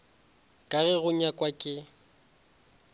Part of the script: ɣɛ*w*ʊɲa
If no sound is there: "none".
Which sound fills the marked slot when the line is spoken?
ɣ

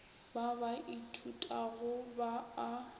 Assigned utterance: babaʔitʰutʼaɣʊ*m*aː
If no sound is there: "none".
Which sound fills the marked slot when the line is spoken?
b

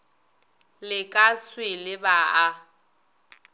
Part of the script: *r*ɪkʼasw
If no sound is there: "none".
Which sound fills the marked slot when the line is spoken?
l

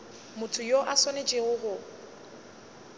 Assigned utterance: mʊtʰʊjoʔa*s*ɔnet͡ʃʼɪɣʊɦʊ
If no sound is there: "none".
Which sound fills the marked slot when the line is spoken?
s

